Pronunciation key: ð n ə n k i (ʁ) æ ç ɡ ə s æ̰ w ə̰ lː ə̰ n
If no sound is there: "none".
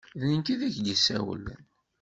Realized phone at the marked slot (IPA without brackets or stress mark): ð